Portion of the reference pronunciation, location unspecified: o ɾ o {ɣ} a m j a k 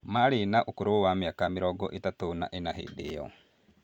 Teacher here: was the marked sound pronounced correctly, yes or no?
no